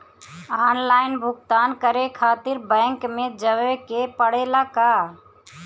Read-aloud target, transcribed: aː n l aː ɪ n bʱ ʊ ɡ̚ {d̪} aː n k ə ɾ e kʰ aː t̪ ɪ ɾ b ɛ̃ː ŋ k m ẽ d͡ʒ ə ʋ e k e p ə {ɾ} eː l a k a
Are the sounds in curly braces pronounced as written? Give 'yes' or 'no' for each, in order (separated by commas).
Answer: no, no